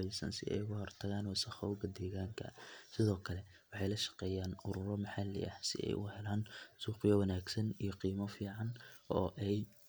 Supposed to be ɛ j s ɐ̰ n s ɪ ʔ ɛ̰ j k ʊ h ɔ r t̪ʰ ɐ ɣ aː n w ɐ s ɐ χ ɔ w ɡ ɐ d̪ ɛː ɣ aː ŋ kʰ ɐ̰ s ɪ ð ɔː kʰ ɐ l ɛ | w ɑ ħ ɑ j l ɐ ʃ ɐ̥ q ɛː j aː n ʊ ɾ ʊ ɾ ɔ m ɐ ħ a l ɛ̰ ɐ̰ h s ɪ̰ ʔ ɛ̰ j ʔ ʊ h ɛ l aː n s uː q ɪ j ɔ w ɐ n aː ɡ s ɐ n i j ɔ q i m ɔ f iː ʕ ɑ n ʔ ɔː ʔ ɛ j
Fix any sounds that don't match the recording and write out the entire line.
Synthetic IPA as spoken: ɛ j s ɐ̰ n s ɪ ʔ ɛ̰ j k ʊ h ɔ r t̪ʰ ɐ ɣ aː n w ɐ s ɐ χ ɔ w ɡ ɐ d̪ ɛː ɣ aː ŋ kʰ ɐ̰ s ɪ ð ɔː kʰ ɐ l ɛ | w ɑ ħ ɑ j l ɐ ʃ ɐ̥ q ɛː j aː n ʊ ɾ ʊ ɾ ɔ m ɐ ħ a l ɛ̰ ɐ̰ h s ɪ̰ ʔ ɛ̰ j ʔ ʊ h ɛ l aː n s uː q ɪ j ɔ w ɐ n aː ɡ s ɐ n i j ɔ q iː m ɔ f iː ʕ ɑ n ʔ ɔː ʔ ɛ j

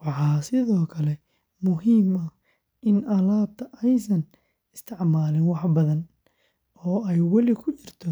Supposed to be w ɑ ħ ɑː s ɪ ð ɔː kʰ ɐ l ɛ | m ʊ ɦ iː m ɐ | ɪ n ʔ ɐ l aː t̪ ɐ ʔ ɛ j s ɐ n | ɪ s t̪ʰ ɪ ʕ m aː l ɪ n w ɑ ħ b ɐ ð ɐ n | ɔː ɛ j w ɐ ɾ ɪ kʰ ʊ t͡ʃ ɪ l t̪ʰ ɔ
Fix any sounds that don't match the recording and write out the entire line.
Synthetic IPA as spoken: w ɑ ħ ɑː s ɪ ð ɔː kʰ ɐ l ɛ | m ʊ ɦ iː m ɐ | ɪ n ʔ ɐ l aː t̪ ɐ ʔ ɛ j s ɐ n | ɪ s t̪ʰ ɪ ʕ m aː l ɪ n w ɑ ħ b ɐ ð ɐ n | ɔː ɛ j w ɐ l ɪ kʰ ʊ t͡ʃ ɪ r t̪ʰ ɔ

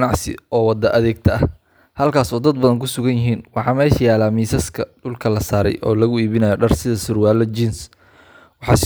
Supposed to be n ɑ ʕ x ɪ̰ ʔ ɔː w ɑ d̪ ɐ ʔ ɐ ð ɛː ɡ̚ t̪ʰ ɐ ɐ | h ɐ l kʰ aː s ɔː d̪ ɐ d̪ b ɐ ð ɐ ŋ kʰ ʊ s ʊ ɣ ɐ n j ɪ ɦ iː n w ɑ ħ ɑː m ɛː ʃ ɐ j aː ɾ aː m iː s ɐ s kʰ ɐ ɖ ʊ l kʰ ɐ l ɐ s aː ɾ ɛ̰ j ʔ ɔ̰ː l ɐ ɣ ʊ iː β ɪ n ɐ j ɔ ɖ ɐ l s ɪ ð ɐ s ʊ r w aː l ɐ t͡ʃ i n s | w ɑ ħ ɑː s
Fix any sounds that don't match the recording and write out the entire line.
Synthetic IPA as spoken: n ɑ ʕ s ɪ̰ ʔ ɔː w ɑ d̪ ɐ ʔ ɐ ð ɛː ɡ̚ t̪ʰ ɐ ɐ | h ɐ l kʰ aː s ɔː d̪ ɐ d̪ b ɐ ð ɐ ŋ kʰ ʊ s ʊ ɣ ɐ n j ɪ ɦ iː n w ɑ ħ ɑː m ɛː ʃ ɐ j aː l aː m iː s ɐ s kʰ ɐ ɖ ʊ l kʰ ɐ l ɐ s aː ɾ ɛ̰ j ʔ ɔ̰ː l ɐ ɣ ʊ iː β ɪ n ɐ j ɔ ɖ ɐ r s ɪ ð ɐ s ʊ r w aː l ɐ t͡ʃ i n s | w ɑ ħ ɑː s

